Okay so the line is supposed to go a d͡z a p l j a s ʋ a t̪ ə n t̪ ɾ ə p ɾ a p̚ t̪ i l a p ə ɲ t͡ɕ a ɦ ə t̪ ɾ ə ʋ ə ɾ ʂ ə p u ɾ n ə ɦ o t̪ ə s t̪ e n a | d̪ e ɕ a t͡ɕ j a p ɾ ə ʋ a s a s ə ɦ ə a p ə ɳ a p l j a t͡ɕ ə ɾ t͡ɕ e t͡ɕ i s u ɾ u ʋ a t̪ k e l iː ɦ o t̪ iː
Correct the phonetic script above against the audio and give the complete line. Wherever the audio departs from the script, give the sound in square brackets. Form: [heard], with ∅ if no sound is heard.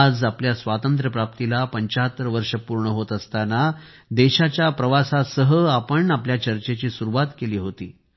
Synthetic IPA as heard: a d͡z a p l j a s ʋ a t̪ ə n t̪ ɾ ə p ɾ a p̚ t̪ i l a p ə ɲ t͡ɕ a ɦ ə t̪ ɾ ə ʋ ə ɾ ʂ ə p u ɾ [ɳ] ə ɦ o t̪ ə s t̪ [a] n a | d̪ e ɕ a t͡ɕ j a p ɾ ə ʋ a s a s ə ɦ ə a p ə ɳ a p l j a t͡ɕ ə ɾ t͡ɕ e t͡ɕ [iː] s u ɾ u ʋ a t̪ k e l iː ɦ o t̪ iː